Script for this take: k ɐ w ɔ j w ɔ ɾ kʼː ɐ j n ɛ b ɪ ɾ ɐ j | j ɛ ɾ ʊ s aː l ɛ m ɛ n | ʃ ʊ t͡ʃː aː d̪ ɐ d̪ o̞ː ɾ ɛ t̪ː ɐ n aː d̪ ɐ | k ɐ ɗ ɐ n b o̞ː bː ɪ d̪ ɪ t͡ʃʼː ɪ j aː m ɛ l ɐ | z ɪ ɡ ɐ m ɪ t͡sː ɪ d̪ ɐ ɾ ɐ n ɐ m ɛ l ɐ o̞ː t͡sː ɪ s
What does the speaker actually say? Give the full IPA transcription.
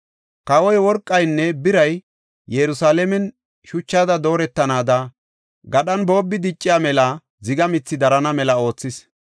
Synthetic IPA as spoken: k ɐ w ɔ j w ɔ ɾ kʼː ɐ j nː ɛ b ɪ ɾ ɐ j | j ɛ ɾ ʊ s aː l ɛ m ɛ n | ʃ ʊ t͡ʃː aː d̪ ɐ d̪ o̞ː ɾ ɛ t̪ː ɐ n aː d̪ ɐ | ɡ ɐ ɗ ɐ n b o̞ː bː ɪ d̪ ɪ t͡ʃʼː ɪ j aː m ɛ l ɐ | z ɪ ɡ ɐ m ɪ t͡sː ɪ d̪ ɐ ɾ ɐ n ɐ m ɛ l ɐ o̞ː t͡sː ɪ s